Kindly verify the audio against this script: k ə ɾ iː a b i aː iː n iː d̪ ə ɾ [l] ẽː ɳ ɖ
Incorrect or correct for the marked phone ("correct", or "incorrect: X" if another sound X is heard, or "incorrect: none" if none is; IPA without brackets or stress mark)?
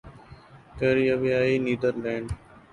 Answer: correct